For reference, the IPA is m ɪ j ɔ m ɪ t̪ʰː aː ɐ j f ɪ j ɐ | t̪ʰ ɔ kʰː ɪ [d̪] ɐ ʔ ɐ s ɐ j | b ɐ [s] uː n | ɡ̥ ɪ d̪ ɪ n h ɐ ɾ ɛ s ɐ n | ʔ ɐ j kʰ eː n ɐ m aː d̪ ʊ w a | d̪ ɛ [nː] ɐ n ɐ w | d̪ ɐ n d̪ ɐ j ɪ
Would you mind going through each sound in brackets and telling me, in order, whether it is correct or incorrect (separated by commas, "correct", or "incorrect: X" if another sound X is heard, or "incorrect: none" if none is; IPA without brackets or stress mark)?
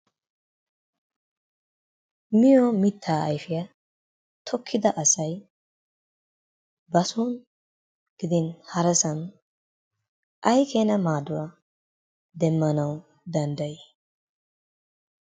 correct, correct, incorrect: mː